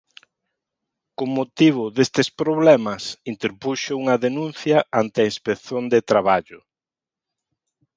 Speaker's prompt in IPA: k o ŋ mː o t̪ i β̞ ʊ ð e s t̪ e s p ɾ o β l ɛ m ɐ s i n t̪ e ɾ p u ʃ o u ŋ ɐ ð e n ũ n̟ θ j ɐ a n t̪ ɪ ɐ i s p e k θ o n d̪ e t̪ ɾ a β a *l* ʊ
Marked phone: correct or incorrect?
incorrect